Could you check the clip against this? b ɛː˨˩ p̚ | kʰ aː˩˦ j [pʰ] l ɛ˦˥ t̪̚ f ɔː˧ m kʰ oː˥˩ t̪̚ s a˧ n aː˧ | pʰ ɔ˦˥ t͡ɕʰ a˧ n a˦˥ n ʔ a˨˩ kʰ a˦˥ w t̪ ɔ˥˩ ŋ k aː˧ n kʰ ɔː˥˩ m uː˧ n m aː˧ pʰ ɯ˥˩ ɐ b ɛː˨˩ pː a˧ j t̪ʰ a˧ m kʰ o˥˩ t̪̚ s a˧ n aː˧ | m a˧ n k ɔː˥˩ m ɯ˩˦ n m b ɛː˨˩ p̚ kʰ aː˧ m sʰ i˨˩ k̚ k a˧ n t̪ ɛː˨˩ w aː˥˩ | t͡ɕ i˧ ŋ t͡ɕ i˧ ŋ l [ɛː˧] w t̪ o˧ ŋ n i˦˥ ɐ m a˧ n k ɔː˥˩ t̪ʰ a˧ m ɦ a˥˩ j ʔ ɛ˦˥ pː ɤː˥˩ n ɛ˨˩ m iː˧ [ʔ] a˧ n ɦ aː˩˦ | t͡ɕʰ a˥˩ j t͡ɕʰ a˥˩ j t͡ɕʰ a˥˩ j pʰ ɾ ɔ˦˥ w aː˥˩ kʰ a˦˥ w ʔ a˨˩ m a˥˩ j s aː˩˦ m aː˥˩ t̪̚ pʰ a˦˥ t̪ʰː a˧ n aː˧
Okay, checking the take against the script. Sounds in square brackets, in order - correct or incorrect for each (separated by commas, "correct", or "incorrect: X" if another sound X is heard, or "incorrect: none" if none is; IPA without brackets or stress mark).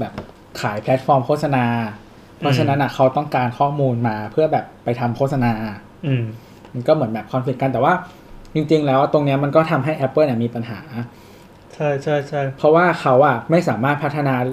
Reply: correct, incorrect: ɛː˦˥, incorrect: p